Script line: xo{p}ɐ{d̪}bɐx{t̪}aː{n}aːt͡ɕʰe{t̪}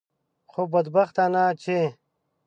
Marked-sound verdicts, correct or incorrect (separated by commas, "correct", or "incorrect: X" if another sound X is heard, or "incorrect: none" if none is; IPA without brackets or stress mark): incorrect: b, correct, correct, correct, incorrect: none